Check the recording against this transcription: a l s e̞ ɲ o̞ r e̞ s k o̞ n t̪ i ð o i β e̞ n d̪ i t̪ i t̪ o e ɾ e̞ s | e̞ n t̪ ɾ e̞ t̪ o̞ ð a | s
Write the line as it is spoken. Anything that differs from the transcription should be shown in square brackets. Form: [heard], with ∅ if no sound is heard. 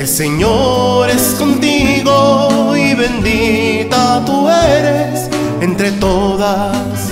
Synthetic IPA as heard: [e] l s e̞ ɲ o̞ [ɾ] e̞ s k o̞ n t̪ i [ɣ] o i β e̞ n d̪ i t̪ [a] t̪ [u] e ɾ e̞ s | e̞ n t̪ ɾ e̞ t̪ o̞ ð a | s